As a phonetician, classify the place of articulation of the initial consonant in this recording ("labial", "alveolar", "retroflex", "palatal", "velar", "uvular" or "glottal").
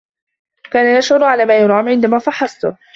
velar